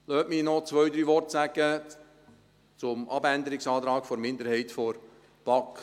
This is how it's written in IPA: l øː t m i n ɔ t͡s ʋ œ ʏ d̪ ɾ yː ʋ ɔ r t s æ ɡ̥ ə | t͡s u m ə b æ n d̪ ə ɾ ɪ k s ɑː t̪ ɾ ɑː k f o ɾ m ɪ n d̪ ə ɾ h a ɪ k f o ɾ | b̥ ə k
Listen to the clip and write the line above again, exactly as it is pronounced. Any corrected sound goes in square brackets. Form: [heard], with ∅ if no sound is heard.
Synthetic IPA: l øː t m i n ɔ t͡s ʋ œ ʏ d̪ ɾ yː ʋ ɔ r t s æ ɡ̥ ə | t͡s [ʊ] m [ɑ] b æ n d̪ ə ɾ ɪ k s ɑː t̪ ɾ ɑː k f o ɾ m ɪ n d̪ ə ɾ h [ɛ] ɪ [t] f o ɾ | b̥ [ɑ] k